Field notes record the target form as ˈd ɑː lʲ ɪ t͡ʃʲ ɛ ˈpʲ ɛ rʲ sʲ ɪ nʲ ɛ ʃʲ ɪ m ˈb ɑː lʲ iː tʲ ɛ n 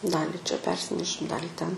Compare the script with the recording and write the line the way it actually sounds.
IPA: ˈd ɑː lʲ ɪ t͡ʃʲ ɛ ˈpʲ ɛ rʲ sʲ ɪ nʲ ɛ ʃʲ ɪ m ˈd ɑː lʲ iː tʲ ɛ n